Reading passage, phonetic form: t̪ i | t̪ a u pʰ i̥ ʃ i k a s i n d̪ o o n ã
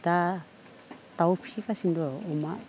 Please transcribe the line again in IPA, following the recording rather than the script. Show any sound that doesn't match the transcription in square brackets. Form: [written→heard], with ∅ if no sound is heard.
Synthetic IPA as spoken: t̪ [i→a] | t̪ a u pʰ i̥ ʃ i k a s i n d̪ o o [n→m] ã

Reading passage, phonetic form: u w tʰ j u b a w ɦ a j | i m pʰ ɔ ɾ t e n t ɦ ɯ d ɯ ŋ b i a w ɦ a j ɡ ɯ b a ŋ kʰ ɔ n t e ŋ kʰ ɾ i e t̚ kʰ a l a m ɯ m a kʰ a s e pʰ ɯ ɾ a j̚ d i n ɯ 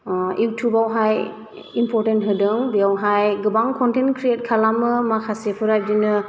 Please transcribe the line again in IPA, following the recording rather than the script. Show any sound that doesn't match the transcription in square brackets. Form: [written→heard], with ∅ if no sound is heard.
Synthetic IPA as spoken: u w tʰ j u b a w ɦ a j | i m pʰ ɔ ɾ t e n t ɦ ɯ d ɯ ŋ b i a w ɦ a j ɡ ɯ b a ŋ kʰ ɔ n t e [ŋ→n] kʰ ɾ i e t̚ kʰ a l a m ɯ m a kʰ a s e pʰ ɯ ɾ a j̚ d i n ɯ

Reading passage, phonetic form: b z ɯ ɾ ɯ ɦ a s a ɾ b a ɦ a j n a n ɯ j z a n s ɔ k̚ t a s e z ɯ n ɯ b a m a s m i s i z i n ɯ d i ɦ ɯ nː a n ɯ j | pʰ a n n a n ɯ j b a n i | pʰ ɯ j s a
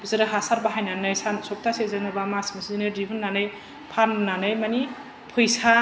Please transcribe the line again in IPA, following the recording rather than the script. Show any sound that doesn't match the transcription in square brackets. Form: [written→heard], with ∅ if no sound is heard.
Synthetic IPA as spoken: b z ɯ ɾ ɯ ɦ a s a ɾ b a ɦ a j n a n ɯ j [z→s] a n s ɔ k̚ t a s e z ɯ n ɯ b a m a s m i s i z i n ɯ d i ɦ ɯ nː a n ɯ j | pʰ a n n a n ɯ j [b→m] a n i | pʰ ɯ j s a

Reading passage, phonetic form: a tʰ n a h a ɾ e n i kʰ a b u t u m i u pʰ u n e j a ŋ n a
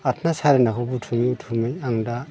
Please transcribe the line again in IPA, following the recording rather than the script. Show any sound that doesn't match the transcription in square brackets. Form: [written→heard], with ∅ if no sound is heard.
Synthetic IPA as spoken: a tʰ n a [h→s] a ɾ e n [i→a] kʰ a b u [t→tʰ] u m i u [pʰ→tʰ] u [n→m] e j a ŋ [n→d] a

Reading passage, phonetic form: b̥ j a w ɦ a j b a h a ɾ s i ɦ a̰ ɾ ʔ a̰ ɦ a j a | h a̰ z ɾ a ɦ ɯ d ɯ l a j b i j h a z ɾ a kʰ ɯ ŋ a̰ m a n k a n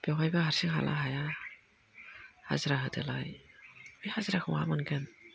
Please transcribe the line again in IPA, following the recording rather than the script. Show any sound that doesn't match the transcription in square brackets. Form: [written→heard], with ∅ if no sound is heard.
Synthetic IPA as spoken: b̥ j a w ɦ a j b a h a ɾ s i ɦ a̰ [ɾ→l] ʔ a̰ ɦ a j a | h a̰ z ɾ a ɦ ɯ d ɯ l a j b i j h a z ɾ a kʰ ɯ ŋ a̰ m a n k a n

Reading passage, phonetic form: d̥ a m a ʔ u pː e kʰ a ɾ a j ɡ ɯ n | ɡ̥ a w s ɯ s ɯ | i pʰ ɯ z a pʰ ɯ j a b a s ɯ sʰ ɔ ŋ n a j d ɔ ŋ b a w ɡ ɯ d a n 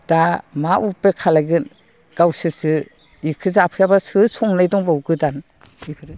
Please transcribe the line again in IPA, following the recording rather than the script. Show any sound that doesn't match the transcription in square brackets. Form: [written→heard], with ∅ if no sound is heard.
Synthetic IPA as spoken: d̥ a m a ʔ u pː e kʰ a [ɾ→l] a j ɡ ɯ n | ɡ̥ a w s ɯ s ɯ | i [pʰ→kʰ] ɯ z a pʰ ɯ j a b a s ɯ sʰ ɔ ŋ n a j d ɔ ŋ b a w ɡ ɯ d a n

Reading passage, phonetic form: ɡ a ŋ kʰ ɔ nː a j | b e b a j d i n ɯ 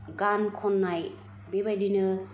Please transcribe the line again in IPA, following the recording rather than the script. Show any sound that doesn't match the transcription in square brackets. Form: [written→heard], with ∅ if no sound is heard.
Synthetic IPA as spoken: ɡ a [ŋ→n] kʰ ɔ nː a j | b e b a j d i n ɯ

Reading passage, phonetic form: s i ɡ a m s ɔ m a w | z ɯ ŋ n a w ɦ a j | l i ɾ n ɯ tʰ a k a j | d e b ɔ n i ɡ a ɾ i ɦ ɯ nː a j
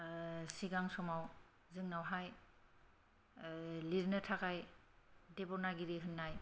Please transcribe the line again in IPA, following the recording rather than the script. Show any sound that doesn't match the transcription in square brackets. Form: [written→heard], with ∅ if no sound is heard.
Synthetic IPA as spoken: s i ɡ a [m→ŋ] s ɔ m a w | z ɯ ŋ n a w ɦ a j | l i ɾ n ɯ tʰ a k a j | d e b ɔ n [i→a] ɡ [a→i] ɾ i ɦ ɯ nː a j

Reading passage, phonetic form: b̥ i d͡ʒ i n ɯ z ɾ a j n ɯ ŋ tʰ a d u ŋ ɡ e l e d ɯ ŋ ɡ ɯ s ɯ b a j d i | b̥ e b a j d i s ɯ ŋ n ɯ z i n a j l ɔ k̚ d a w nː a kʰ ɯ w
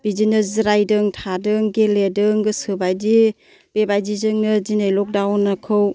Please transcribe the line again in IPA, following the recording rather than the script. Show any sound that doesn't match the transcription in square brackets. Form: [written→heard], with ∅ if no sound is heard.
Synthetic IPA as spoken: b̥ i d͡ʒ i n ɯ z ɾ a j [n→d] ɯ ŋ tʰ a d [u→ɯ] ŋ ɡ e l e d ɯ ŋ ɡ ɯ s ɯ b a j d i | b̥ e b a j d i [s→z] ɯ ŋ n ɯ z i n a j l ɔ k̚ d a w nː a kʰ ɯ w

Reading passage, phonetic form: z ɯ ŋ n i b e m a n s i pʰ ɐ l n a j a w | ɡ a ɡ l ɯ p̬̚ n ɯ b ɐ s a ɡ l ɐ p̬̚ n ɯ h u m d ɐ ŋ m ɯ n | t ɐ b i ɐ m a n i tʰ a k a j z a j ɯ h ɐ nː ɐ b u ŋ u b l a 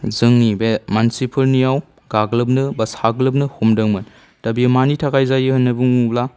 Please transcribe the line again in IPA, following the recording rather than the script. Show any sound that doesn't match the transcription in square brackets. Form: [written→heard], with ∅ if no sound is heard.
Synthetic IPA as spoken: z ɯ ŋ n i b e m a n s i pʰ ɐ l n [a→i] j a w | ɡ a ɡ l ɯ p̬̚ n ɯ b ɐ s a ɡ l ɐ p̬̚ n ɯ h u m d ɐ ŋ m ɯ n | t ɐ b i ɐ m a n i tʰ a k a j z a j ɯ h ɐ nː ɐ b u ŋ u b l a

